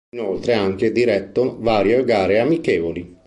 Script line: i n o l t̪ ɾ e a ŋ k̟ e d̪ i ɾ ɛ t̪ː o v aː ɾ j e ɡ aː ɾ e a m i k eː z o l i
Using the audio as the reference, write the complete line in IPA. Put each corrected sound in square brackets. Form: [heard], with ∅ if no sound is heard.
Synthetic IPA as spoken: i n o l t̪ ɾ e a ŋ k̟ e d̪ i ɾ ɛ t̪ː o v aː ɾ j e ɡ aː ɾ e a m i k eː [v] o l i